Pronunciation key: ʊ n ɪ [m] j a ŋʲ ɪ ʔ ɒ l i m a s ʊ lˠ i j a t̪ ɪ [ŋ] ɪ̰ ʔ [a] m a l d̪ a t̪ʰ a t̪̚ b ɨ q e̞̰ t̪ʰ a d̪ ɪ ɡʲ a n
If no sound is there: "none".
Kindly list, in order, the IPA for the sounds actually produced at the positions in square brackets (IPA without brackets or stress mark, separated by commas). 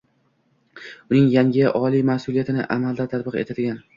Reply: ŋ, n, a